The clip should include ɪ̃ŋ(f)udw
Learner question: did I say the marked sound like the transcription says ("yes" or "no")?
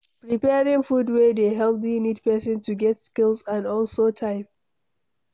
yes